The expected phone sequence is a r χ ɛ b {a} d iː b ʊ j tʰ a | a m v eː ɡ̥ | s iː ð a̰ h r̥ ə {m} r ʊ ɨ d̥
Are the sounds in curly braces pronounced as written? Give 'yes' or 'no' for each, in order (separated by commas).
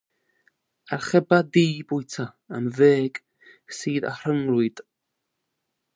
yes, no